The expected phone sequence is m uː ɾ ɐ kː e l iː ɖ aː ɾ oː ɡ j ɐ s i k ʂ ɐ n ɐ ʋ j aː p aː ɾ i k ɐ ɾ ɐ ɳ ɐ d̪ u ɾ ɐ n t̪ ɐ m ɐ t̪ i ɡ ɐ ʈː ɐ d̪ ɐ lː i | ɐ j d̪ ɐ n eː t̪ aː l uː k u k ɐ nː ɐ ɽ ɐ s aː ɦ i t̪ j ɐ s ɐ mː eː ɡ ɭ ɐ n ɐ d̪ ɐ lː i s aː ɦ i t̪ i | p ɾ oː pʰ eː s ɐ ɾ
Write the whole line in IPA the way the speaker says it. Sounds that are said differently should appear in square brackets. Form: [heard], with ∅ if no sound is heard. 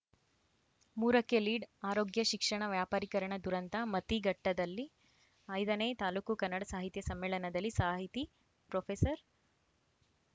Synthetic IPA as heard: m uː ɾ ɐ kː e l iː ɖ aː ɾ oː ɡ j ɐ [ʃ] i k ʂ ɐ [ɳ] ɐ ʋ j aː p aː ɾ i k ɐ ɾ ɐ ɳ ɐ d̪ u ɾ ɐ n t̪ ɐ m ɐ t̪ i ɡ ɐ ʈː ɐ d̪ ɐ lː i | ɐ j d̪ ɐ n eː t̪ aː l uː k u k ɐ nː ɐ ɽ ɐ s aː ɦ i t̪ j ɐ s ɐ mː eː [∅] ɭ ɐ n ɐ d̪ ɐ lː i s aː ɦ i t̪ i | p ɾ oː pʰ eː s ɐ ɾ